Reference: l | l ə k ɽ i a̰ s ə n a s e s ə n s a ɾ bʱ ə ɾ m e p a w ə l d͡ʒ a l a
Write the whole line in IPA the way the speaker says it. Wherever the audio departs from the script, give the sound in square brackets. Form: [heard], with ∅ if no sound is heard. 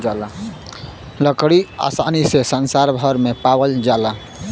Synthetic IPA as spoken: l | l ə k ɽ i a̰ s [a] n [i] s e s ə n s a ɾ bʱ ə ɾ m e p a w ə l d͡ʒ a l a